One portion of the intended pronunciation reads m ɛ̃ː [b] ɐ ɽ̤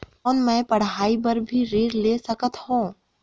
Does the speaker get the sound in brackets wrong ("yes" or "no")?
yes